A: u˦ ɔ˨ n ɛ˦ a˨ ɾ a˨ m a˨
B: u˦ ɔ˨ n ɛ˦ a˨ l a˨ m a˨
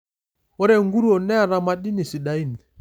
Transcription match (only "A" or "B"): A